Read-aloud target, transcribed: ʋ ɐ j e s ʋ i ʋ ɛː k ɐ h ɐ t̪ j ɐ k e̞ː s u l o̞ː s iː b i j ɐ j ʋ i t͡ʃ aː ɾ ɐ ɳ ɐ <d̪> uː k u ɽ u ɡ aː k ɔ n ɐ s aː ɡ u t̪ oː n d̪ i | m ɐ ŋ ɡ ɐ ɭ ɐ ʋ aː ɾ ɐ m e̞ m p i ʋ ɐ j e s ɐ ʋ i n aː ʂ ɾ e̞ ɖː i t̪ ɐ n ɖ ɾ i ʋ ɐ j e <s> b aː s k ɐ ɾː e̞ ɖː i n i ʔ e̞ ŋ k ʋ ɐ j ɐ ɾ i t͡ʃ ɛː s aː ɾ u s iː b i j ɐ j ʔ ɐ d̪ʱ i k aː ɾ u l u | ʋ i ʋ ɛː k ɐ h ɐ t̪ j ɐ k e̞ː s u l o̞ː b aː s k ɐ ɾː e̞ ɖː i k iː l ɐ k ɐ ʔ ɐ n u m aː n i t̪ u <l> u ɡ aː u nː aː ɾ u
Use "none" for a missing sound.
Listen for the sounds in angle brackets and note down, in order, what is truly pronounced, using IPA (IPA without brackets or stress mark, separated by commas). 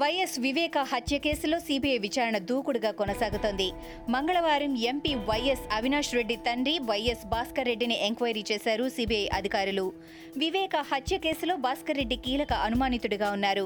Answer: d̪, s, ɽ